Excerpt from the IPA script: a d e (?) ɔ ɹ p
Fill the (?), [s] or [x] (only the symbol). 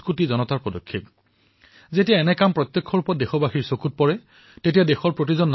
x